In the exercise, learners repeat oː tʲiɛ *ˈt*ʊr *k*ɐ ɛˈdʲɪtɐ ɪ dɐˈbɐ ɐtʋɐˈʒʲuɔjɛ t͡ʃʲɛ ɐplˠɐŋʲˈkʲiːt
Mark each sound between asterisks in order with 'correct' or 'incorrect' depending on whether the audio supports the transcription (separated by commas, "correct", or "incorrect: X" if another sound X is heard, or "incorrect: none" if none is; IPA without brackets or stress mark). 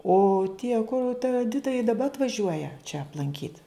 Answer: incorrect: k, incorrect: t